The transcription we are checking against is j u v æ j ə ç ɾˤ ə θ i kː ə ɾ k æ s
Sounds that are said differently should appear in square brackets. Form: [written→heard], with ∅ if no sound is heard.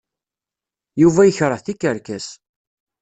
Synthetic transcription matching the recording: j u v æ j ə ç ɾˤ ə θ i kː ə ɾ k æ s